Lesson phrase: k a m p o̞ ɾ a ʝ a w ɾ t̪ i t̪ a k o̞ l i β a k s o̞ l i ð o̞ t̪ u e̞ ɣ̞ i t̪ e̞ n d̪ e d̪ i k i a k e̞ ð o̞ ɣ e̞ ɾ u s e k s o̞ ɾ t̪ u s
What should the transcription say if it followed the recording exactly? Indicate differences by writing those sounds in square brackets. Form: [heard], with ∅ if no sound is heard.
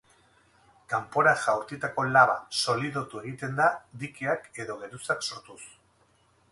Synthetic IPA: k a m p o̞ ɾ a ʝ a w ɾ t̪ i t̪ a k o̞ l [a] β a [∅] s o̞ l i ð o̞ t̪ u e̞ ɣ̞ i t̪ e̞ n d̪ [a] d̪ i k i a k e̞ ð o̞ ɣ e̞ ɾ u s [a] k s o̞ ɾ t̪ u s